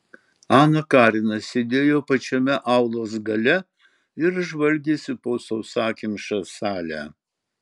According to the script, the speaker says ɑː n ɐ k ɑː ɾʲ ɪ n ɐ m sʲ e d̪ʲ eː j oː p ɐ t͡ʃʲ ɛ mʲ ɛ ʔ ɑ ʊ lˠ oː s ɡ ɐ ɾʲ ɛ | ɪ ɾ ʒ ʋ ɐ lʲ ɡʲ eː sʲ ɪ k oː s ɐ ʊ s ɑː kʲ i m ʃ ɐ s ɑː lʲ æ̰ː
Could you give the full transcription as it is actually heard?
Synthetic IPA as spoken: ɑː n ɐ k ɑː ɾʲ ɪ n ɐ sʲ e d̪ʲ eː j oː p ɐ t͡ʃʲ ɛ mʲ ɛ ʔ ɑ ʊ lˠ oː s ɡ ɐ lʲ ɛ | ɪ ɾ ʒ ʋ ɐ lʲ ɡʲ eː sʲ ɪ p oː s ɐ ʊ s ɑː kʲ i m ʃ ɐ s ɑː lʲ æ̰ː